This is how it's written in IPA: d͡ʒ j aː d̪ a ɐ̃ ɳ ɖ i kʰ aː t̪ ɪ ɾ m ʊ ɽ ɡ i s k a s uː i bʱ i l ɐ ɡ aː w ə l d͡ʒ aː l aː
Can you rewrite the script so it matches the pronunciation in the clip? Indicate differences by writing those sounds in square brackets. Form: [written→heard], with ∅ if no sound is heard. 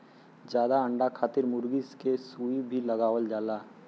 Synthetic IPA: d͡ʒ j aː d̪ a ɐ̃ ɳ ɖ [i→a] kʰ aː t̪ ɪ ɾ m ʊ [ɽ→ɾ] ɡ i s k [a→e] s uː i bʱ i l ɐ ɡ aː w ə l d͡ʒ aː l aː